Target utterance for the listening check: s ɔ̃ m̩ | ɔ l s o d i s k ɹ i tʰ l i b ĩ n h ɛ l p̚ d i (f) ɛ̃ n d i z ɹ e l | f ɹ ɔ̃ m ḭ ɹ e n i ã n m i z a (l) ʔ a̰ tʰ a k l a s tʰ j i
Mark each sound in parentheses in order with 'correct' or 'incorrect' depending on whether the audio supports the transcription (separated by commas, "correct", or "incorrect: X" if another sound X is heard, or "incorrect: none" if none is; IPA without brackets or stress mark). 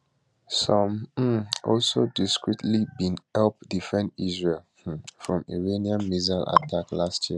correct, correct